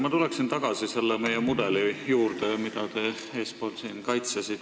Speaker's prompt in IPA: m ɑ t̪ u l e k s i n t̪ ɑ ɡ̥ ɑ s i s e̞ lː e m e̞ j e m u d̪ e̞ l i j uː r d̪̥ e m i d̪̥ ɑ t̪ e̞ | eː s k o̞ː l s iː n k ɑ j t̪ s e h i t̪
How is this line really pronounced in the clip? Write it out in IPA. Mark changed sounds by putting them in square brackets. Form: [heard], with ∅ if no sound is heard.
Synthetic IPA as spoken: m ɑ t̪ u l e k s i n t̪ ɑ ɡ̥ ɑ s i s e̞ lː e m e̞ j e m u d̪ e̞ l i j uː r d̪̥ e m i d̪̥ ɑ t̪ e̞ | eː s [p] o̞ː l s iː n k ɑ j t̪ s e [s] i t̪